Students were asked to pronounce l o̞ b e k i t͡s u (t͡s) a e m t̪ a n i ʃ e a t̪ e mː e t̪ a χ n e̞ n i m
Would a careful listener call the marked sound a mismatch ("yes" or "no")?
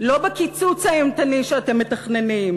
no